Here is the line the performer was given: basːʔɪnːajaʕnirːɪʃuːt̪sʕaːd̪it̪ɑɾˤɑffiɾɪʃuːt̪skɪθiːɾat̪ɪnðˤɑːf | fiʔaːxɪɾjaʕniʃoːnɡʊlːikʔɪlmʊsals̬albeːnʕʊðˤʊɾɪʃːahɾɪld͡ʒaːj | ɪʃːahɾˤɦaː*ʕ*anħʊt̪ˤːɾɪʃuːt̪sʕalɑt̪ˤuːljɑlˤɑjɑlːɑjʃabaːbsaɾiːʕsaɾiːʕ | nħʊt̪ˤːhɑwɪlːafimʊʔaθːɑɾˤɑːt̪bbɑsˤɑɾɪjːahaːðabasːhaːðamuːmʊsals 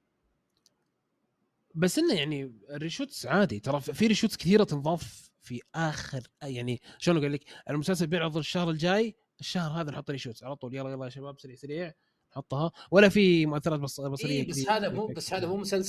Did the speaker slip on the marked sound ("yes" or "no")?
yes